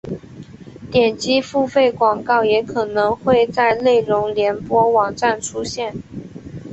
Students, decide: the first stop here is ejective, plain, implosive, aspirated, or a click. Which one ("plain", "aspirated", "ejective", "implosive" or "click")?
plain